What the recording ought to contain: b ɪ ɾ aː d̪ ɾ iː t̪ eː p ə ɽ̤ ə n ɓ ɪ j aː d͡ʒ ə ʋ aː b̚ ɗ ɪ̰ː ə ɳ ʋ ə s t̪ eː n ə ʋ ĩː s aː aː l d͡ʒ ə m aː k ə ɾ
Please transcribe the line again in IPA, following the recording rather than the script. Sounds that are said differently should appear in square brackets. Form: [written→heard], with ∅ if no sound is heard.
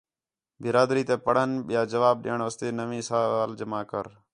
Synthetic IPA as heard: b ɪ ɾ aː d̪ ɾ iː t̪ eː p ə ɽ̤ ə n ɓ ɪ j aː d͡ʒ ə ʋ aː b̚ ɗ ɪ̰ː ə ɳ ʋ ə s t̪ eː n ə ʋ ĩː s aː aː l d͡ʒ ə m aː k ə ɾ

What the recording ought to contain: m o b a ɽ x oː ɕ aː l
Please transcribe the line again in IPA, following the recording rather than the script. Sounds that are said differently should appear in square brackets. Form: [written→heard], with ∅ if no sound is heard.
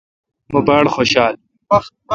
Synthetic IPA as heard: m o b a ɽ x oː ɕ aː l

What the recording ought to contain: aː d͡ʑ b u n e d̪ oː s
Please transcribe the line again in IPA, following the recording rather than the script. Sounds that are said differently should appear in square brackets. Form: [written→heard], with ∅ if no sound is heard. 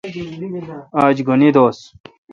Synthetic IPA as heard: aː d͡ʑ [b→ɡ] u n [e→i] d̪ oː s

